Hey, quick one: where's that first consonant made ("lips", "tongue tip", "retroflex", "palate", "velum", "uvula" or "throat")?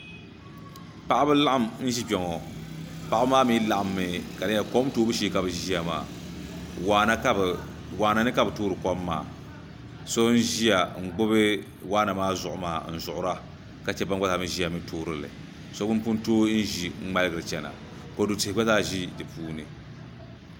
lips